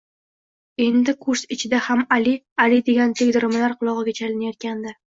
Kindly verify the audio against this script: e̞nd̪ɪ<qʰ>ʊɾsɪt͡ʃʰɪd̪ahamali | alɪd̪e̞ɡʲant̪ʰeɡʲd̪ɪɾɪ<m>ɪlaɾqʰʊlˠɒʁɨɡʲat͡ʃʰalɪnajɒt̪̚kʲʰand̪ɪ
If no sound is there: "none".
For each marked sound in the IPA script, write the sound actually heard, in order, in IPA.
kʰ, m

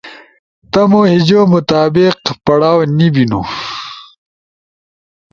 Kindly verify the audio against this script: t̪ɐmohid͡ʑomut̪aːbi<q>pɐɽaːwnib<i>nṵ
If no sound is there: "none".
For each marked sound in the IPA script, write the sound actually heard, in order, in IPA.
q, i

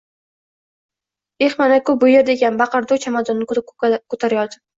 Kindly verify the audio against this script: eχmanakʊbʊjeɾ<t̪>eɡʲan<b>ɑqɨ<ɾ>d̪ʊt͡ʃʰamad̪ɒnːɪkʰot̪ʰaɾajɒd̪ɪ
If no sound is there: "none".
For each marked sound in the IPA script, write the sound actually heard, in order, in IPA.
d̪, b, ɾ

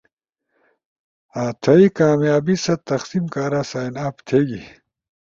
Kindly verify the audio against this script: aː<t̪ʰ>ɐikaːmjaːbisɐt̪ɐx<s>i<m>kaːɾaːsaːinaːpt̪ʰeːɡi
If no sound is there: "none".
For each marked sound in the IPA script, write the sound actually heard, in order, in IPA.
t̪ʰ, s, m

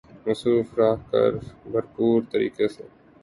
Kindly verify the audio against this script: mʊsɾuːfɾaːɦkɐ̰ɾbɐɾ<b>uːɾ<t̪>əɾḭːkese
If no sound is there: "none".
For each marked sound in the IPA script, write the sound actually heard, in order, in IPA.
p, t̪

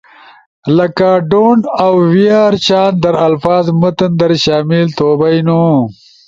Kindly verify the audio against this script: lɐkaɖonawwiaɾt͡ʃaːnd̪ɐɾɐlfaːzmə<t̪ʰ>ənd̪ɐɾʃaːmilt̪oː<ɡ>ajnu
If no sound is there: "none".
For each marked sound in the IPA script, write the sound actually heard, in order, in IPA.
t̪, b

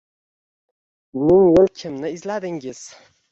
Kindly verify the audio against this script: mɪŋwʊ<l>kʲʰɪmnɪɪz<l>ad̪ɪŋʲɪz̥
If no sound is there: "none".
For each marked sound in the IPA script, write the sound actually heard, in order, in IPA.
l, l

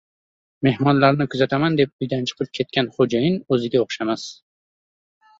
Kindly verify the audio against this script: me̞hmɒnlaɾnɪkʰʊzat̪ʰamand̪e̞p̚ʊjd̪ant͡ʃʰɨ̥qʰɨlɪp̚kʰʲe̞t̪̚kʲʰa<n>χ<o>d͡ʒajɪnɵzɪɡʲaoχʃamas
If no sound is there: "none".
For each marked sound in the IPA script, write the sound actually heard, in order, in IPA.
n, o

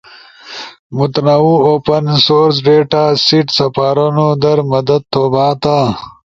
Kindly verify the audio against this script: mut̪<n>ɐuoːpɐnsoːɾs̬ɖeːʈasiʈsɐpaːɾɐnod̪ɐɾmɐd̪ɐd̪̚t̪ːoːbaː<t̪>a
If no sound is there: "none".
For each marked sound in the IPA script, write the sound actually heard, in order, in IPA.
n, t̪

